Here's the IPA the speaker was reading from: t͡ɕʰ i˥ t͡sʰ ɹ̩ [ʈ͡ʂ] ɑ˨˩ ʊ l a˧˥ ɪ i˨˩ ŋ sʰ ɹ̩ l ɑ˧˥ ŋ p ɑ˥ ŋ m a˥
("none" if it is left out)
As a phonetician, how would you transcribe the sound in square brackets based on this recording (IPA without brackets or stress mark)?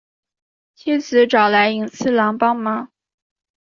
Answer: ʈ͡ʂ